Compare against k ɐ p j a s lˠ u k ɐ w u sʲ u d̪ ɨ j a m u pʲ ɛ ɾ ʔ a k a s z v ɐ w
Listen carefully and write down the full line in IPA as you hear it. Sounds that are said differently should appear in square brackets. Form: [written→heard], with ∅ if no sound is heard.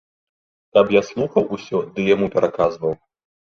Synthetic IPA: k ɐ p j a s lˠ u [k→x] ɐ w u sʲ [u→ɔ] d̪ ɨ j a m u pʲ ɛ ɾ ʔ a k a [s→∅] z v ɐ w